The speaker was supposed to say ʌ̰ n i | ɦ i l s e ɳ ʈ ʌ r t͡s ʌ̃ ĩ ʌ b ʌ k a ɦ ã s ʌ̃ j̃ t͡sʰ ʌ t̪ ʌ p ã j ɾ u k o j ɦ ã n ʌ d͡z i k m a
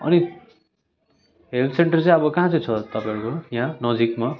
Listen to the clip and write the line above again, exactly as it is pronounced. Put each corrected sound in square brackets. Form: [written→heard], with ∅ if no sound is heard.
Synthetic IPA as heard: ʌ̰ n i | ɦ [i→e] l s e ɳ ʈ ʌ r t͡s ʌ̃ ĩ ʌ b ʌ k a ɦ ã [s→t͡s] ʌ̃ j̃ t͡sʰ ʌ t̪ ʌ p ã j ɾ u k o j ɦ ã n ʌ d͡z i k m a